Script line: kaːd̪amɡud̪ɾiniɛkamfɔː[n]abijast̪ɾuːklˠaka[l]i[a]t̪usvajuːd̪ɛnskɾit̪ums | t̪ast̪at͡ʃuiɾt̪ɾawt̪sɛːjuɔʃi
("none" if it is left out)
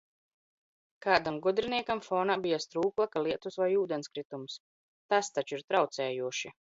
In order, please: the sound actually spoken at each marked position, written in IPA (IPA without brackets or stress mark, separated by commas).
n, l, ɛ